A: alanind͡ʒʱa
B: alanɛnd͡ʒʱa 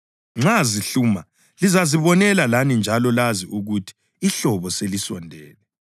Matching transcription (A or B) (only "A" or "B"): A